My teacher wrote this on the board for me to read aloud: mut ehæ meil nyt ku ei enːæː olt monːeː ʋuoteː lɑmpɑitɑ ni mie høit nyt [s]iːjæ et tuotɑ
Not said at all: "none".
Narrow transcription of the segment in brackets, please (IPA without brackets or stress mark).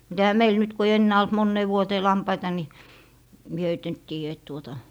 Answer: t